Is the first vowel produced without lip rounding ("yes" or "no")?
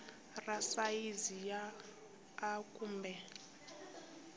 yes